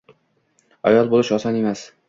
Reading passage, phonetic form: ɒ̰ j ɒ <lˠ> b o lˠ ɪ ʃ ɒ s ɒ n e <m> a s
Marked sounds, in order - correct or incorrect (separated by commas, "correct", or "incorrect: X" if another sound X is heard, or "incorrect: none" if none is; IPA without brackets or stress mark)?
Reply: correct, correct